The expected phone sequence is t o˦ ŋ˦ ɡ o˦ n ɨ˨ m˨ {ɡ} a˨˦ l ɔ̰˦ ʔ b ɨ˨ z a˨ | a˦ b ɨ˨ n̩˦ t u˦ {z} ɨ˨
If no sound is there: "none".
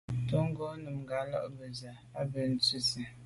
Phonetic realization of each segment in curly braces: ɡ, s

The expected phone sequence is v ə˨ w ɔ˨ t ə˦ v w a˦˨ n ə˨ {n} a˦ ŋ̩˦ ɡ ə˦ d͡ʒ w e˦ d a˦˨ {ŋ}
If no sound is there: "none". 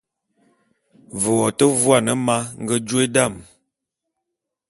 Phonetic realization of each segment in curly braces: m, m

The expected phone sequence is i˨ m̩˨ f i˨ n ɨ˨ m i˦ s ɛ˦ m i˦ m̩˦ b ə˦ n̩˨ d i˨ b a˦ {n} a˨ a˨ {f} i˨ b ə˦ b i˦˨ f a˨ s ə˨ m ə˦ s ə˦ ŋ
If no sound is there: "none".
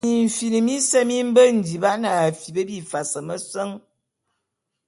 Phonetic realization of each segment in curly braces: n, f

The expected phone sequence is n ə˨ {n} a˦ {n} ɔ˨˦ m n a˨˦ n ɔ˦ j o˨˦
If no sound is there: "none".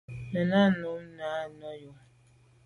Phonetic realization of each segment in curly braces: n, n

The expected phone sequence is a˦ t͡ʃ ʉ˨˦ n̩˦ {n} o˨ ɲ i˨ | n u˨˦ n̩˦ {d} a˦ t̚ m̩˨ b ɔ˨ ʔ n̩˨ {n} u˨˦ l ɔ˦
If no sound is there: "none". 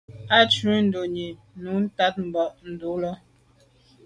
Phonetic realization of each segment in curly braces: d, t, d

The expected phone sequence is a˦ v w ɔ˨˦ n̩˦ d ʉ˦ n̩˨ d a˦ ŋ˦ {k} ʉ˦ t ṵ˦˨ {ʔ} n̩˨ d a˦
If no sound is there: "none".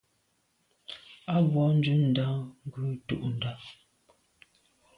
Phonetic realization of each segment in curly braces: ɡ, ʔ

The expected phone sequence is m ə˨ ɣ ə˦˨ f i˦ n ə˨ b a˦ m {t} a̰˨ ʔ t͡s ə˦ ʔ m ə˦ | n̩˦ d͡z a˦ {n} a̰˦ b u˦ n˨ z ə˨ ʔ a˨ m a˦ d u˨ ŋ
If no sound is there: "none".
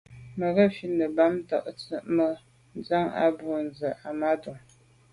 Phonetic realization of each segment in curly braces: t, ŋ

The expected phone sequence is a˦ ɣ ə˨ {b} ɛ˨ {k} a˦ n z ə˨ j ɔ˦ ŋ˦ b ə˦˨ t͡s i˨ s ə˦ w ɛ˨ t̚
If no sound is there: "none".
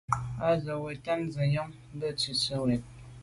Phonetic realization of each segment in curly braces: w, t

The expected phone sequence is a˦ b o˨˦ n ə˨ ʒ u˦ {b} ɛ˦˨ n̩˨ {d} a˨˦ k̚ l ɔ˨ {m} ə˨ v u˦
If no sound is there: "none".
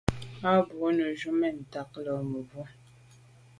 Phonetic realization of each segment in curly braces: m, t, m

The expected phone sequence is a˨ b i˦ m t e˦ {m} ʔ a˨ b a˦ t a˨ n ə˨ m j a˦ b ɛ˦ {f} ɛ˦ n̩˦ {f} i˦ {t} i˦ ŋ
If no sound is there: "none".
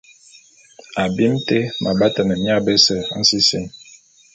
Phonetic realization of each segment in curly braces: m, s, s, s

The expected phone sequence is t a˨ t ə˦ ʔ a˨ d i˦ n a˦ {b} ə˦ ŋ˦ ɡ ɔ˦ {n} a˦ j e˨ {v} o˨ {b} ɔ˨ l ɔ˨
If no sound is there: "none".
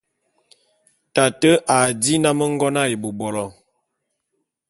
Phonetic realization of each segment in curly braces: m, n, b, b

